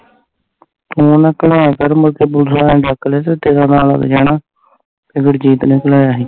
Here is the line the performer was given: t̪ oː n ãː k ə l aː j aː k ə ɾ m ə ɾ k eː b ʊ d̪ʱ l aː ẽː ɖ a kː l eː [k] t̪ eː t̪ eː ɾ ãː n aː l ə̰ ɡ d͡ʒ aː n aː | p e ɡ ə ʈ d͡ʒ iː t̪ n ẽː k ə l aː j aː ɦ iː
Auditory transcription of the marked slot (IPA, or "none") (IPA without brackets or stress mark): none